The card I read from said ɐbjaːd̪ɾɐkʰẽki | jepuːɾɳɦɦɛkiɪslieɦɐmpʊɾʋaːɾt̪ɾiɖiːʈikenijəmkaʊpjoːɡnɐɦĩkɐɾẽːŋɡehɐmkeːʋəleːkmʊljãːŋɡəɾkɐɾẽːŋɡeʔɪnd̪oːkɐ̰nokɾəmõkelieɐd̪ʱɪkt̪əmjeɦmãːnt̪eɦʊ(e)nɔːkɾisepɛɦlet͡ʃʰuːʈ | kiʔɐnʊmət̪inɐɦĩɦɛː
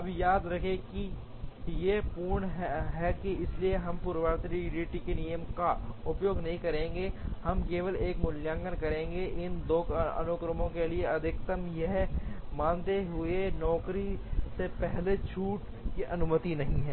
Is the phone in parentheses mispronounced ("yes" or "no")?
no